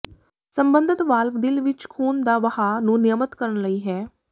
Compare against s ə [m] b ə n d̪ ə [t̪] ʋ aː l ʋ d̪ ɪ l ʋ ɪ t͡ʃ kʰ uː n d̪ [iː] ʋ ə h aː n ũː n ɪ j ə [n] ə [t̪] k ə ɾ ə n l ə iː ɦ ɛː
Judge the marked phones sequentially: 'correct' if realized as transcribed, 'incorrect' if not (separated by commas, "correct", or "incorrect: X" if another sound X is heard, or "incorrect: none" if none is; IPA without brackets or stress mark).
correct, correct, incorrect: aː, incorrect: m, correct